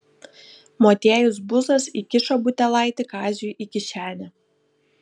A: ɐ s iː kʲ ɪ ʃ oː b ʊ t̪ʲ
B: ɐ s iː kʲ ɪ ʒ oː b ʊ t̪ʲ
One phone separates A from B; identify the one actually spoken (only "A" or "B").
A